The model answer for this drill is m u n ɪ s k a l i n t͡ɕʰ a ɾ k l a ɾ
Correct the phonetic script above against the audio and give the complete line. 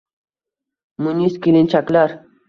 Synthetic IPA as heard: m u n i s k i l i n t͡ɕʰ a k l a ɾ

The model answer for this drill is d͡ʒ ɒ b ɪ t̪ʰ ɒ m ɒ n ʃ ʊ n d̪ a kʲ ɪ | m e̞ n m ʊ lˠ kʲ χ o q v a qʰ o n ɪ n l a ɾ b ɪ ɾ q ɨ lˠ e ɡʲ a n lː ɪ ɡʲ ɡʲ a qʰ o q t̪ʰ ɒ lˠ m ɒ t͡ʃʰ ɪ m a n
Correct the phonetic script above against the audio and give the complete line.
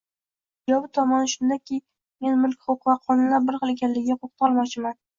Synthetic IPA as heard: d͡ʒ ɒ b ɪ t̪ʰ ɒ m ɒ n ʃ ʊ n d̪ a kʲ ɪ | m e̞ n m ʊ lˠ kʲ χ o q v a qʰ ɒ n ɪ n l a ɾ b ɪ ɾ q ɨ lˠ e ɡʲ a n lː ɪ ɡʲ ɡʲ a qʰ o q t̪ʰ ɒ lˠ m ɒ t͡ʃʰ ɪ m a n

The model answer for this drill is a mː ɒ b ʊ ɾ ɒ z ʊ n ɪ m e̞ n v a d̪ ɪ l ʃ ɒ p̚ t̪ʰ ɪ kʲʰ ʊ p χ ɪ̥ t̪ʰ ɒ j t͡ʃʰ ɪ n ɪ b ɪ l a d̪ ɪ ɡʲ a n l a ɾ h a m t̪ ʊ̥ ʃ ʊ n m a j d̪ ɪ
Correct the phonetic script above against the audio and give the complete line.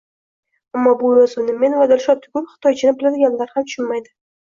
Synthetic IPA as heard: a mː ɒ b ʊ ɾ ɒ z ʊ n ɪ m e̞ n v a d̪ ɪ l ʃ ɒ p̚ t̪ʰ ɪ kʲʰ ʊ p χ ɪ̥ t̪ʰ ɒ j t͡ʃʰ ɪ n ɪ b ɪ l a d̪ ɪ ɡʲ a n l a ɾ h a m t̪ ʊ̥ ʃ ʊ n m a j d̪ ɪ

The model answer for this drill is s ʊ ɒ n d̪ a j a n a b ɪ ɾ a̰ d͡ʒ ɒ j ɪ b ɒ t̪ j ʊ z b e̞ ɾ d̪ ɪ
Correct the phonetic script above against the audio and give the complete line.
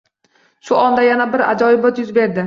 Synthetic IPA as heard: ʃ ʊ ɒ n d̪ a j a n a b ɪ ɾ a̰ d͡ʒ ɒ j ɪ b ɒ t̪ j ʊ z b e̞ ɾ d̪ ɪ

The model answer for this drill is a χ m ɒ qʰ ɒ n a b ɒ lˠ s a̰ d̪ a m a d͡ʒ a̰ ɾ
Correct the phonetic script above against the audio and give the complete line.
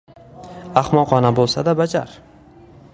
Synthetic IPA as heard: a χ m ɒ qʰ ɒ n a b o lˠ s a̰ d̪ a b a d͡ʒ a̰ ɾ

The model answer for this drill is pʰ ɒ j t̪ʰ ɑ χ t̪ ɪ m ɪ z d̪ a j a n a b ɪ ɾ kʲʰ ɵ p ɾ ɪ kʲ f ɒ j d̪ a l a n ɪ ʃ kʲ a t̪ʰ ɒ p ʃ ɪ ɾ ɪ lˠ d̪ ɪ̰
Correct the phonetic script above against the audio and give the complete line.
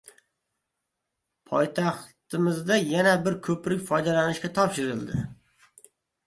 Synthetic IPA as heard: pʰ ɒ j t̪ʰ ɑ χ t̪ ɪ m ɪ z d̪ a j a n a b ɪ ɾ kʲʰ ɵ p ɾ ɪ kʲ f ɒ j d̪ a l a n ɪ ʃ kʲ a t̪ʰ ɒ p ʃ ɪ ɾ ɪ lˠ d̪ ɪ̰

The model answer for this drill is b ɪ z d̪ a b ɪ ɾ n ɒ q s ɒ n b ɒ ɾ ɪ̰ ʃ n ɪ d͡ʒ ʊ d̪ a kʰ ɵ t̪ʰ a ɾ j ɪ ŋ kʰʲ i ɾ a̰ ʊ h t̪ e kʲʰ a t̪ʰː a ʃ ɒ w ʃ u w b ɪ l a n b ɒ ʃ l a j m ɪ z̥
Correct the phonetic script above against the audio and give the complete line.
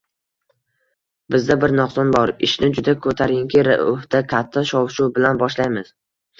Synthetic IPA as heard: b ɪ z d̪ a b ɪ ɾ n ɒ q s ɒ n b ɒ ɾ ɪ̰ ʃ n ɪ d͡ʒ ʊ d̪ a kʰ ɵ t̪ʰ a ɾ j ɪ ŋ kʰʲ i ɾ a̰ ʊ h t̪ a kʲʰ a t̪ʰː a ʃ ɒ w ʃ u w b ɪ l a n b ɒ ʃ l a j m ɪ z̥

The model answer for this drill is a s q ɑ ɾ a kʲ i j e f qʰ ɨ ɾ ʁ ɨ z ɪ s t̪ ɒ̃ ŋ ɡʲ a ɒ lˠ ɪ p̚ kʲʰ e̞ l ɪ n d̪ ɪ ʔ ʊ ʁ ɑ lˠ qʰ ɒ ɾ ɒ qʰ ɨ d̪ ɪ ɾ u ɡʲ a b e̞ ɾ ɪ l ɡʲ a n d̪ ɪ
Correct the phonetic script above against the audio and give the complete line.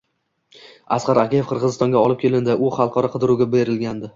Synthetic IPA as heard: a s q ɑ ɾ a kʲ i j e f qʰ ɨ ɾ ʁ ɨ z ɪ s t̪ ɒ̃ ŋ ɡʲ a ɒ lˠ ɪ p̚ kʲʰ e̞ l ɪ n d̪ ɪ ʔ ʊ χ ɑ lˠ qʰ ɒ ɾ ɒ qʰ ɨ d̪ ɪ ɾ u ɡʲ a b e̞ ɾ ɪ l ɡʲ a n d̪ ɪ

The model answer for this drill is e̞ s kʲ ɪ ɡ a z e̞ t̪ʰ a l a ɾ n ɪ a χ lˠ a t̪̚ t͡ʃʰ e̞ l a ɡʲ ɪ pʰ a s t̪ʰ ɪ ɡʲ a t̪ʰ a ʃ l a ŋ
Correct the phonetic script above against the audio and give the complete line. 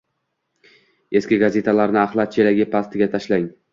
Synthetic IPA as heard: e̞ s kʲ ɪ ɡ a z e̞ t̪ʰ a l a ɾ n ɪ a χ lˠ a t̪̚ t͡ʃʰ e̞ l a ɡʲ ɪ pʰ a s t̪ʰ ɪ ɡʲ a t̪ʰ a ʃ l a ŋ

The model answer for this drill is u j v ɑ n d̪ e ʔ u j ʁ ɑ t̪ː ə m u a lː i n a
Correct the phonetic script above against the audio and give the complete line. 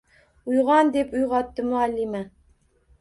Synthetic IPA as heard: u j ʁ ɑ n d̪ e p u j ʁ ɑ t̪ː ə m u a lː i m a

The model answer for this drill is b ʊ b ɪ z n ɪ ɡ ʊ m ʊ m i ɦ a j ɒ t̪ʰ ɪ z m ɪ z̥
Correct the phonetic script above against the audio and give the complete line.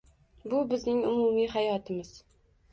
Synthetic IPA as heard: b ʊ b ɪ z n ɪ ŋ ʊ m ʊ m i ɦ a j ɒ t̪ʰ ɪ m ɪ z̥

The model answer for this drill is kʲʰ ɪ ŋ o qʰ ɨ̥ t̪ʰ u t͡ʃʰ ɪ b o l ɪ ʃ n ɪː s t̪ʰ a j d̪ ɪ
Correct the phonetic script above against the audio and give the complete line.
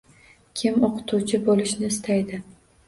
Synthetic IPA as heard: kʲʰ ɪ m o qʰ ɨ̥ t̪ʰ u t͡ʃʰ ɪ b o l ɪ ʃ n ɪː s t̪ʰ a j d̪ ɪ

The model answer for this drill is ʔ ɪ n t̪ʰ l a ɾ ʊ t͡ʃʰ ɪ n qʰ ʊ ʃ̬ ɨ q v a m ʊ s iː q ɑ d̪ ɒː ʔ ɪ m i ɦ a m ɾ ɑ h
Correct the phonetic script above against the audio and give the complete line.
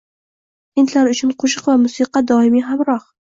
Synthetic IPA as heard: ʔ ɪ n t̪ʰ l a ɾ ʊ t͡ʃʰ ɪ n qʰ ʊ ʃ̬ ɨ q v a m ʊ s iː q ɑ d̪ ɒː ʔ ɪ m i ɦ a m ɾ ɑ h

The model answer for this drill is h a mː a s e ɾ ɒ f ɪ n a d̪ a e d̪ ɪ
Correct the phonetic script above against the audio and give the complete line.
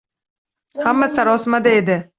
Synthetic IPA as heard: h a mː a s a ɾ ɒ s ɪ m a d̪ a e d̪ ɪ

